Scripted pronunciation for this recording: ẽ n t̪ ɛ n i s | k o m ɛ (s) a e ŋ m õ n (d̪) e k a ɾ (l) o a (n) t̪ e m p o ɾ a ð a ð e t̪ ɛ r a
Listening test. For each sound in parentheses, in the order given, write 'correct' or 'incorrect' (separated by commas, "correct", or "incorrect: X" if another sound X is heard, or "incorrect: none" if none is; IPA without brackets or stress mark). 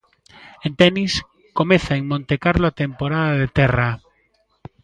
incorrect: θ, incorrect: t̪, correct, incorrect: none